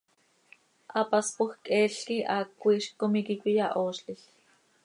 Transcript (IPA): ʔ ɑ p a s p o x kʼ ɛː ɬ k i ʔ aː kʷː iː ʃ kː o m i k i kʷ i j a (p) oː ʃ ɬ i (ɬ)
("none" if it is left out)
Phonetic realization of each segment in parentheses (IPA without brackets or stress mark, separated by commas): ʔ, ɬ